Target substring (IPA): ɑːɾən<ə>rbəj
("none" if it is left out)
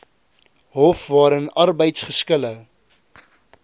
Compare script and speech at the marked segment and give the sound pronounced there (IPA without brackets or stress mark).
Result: ɐ